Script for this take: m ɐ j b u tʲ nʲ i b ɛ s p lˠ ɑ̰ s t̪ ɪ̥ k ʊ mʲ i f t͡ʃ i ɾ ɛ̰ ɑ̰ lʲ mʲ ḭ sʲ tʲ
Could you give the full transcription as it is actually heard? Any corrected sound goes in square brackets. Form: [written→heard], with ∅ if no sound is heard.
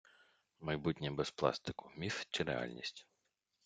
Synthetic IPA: m ɐ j b u tʲ nʲ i b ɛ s p lˠ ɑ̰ s t̪ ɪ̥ k ʊ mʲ i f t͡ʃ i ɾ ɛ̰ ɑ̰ lʲ [mʲ→nʲ] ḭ sʲ tʲ